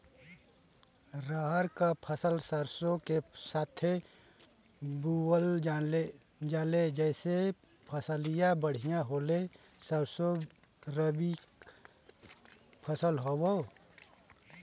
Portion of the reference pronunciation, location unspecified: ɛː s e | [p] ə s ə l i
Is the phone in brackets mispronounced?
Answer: yes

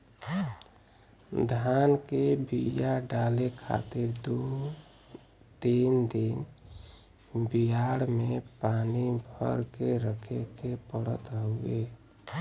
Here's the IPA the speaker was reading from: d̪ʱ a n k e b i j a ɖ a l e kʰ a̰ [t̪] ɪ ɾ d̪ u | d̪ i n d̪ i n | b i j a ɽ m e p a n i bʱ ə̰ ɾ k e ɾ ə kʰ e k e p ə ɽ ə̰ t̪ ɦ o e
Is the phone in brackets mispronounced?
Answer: no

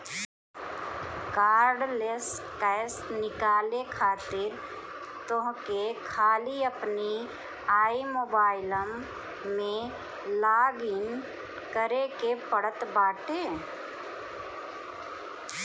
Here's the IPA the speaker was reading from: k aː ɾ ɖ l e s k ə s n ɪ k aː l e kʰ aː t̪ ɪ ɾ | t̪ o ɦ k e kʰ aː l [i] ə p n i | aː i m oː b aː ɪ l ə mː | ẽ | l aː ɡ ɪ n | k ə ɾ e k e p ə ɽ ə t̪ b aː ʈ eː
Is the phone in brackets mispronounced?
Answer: no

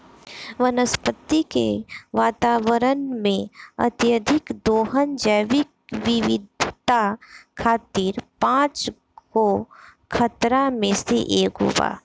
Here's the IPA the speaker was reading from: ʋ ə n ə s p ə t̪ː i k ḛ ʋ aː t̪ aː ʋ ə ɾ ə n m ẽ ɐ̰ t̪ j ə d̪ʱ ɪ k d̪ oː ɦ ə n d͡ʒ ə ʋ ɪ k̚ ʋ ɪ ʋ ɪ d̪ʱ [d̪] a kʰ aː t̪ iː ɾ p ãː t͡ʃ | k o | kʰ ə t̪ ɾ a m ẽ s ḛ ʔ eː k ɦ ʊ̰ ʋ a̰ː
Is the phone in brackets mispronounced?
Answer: yes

